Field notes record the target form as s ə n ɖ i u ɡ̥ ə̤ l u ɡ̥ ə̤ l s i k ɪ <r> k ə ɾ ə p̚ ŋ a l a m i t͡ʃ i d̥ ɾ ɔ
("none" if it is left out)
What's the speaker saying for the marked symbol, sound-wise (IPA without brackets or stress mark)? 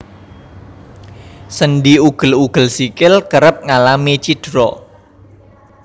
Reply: l